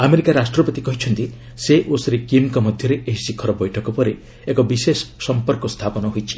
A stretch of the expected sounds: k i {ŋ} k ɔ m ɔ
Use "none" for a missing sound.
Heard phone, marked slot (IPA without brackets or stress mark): m